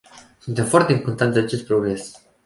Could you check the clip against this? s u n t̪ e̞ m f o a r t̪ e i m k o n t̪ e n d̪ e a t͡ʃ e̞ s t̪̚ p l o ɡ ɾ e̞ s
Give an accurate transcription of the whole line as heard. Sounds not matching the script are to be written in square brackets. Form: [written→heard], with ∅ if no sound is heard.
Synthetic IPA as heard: s u n t̪ e̞ m f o a r t̪ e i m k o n t̪ [e→a] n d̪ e a t͡ʃ e̞ s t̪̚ p [l→ɾ] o ɡ ɾ e̞ s